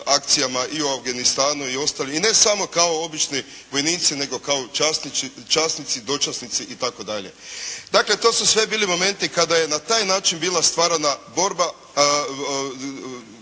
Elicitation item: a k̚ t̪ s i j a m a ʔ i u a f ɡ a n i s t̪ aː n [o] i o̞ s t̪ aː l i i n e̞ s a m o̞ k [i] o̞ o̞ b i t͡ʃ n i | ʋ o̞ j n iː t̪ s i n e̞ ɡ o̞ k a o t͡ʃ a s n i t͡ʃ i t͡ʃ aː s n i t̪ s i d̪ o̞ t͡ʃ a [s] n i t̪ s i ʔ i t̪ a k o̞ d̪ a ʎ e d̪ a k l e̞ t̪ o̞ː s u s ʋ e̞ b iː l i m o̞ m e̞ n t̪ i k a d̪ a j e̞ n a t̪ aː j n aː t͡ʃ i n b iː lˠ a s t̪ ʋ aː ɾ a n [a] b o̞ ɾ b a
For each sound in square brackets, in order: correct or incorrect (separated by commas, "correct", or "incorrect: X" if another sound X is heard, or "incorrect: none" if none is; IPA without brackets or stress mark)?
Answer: incorrect: u, incorrect: a, correct, correct